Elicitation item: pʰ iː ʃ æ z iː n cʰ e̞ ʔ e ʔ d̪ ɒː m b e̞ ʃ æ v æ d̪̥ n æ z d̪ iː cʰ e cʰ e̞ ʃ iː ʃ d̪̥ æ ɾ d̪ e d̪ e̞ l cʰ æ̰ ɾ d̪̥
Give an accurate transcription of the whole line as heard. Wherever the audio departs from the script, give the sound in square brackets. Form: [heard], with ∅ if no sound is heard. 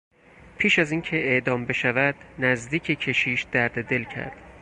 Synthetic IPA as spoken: pʰ iː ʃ æ z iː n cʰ e̞ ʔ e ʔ d̪ ɒː m b e̞ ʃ æ v æ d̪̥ n æ z d̪ iː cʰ e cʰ e̞ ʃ iː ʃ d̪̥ æ ɾ d̪ e d̪ e̞ l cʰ æ̰ ɾ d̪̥

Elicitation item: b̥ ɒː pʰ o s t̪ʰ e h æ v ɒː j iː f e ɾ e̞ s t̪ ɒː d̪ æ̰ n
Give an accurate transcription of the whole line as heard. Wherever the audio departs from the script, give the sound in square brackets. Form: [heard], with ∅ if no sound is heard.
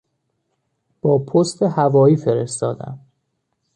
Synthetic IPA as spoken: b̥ ɒː pʰ o s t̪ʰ e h æ v ɒː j iː f e ɾ e̞ s t̪ ɒː d̪ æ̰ [m]

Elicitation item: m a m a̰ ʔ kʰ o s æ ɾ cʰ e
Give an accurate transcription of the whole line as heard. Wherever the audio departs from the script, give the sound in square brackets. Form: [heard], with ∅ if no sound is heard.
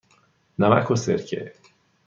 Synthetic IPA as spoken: [n] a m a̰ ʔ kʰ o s [e] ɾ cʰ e

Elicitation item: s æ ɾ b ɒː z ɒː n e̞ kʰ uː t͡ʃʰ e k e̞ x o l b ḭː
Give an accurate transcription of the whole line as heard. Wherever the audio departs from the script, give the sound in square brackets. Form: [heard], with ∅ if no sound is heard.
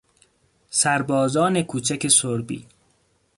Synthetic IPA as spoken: s æ ɾ b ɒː z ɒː n e̞ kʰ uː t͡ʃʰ [æ] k e̞ [s] o [ɾ] b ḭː

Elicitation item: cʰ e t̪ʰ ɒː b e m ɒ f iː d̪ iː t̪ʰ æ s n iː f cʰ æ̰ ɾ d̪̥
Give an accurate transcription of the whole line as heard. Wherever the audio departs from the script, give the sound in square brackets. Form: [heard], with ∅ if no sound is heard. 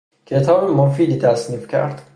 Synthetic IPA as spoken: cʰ e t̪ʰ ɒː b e m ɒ f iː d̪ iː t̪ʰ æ s n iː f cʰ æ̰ ɾ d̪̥

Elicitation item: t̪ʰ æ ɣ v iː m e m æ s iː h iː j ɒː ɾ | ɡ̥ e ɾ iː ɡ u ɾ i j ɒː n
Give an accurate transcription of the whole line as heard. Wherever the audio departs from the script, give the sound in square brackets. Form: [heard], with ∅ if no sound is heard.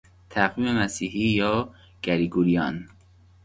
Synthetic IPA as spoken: t̪ʰ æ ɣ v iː m e m æ s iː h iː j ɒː [∅] | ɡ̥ [æ] ɾ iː ɡ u ɾ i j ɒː n

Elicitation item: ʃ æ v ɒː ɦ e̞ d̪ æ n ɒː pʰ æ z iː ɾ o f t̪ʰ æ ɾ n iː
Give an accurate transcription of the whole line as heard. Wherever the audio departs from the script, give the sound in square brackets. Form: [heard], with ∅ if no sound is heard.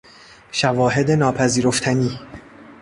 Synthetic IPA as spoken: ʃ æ v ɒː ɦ e̞ d̪ [e] n ɒː pʰ æ z iː ɾ o f t̪ʰ æ [∅] n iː

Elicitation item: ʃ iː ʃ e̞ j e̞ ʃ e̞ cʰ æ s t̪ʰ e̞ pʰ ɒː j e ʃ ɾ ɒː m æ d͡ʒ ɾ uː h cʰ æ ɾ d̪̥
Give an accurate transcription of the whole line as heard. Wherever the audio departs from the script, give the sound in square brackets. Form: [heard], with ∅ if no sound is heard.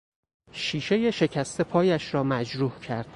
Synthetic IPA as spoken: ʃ iː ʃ e̞ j e̞ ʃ e̞ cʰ æ s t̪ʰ e̞ pʰ ɒː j [æ] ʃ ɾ ɒː m æ d͡ʒ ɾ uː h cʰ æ ɾ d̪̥

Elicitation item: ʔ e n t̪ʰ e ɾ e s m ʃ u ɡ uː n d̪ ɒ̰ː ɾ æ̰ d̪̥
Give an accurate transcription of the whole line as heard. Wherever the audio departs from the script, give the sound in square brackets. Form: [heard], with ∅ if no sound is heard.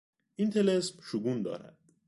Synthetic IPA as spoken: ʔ [i] n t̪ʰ e [l] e s m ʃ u ɡ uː n d̪ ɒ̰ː ɾ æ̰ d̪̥

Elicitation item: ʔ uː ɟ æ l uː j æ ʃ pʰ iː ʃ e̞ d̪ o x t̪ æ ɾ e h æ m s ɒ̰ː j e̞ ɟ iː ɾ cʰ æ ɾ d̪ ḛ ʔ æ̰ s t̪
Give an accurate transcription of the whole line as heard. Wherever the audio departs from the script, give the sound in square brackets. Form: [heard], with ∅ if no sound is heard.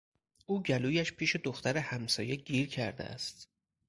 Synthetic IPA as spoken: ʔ uː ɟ æ l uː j æ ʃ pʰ iː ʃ e̞ d̪ o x t̪ æ ɾ e h æ m s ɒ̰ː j e̞ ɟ iː ɾ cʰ æ ɾ d̪ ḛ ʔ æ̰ s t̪

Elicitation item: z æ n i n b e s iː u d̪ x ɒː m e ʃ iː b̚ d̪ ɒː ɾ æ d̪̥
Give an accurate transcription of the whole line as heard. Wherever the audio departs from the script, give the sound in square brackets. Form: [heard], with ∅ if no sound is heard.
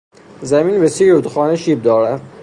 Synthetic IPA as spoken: z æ [m] i n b e s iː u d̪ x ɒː [n] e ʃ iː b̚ d̪ ɒː ɾ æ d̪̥

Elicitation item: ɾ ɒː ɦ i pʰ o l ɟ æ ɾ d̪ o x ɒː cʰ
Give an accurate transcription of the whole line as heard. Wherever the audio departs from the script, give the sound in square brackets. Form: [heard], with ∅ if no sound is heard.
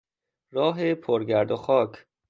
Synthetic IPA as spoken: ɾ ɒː ɦ [e] pʰ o [ɾ] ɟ æ ɾ d̪ o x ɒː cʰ

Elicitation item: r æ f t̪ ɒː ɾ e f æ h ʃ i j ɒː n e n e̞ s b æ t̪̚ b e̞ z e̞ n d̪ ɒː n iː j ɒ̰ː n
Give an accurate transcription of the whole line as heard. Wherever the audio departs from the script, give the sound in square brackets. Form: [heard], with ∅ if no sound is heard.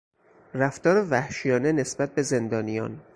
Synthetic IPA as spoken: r æ f t̪ ɒː ɾ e [v] æ h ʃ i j ɒː n e n e̞ s b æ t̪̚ b e̞ z e̞ n d̪ ɒː n [i] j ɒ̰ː n

